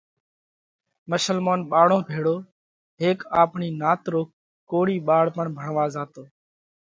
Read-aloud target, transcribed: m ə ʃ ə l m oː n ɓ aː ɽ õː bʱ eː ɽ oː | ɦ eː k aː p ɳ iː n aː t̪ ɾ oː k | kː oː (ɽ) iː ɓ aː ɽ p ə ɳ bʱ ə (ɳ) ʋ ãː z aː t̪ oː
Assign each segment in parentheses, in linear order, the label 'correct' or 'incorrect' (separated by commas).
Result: correct, correct